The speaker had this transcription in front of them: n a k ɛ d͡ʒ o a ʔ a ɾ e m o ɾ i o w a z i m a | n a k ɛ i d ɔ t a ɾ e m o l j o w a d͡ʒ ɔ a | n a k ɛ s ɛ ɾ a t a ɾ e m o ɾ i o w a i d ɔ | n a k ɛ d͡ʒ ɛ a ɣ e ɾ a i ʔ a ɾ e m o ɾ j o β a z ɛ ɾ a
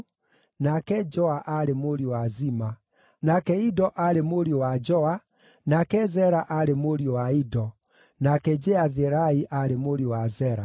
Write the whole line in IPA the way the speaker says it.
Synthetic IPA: n a k ɛ d͡ʒ ɔ a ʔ a ɾ e m o ɾ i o w a z i m a | n a k ɛ i d ɔ ʔ a ɾ e m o ɾ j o w a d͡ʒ ɔ a | n a k ɛ z ɛ ɾ a ʔ a ɾ e m o ɾ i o w a i d ɔ | n a k ɛ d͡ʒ ɛ a ð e ɾ a i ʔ a ɾ e m o ɾ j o w a z ɛ ɾ a